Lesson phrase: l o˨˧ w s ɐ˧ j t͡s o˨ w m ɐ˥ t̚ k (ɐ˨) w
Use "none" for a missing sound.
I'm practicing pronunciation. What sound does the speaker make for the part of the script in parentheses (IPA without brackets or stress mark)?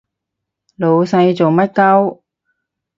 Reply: ɐ˥